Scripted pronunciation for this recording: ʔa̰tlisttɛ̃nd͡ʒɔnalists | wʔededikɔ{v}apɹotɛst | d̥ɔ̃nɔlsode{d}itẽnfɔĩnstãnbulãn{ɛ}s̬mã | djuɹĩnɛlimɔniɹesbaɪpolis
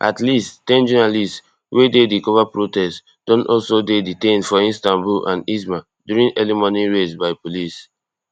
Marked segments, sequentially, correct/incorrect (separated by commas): correct, correct, incorrect